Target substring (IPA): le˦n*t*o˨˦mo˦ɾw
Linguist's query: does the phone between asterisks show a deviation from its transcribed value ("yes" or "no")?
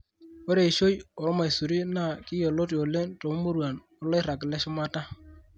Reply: no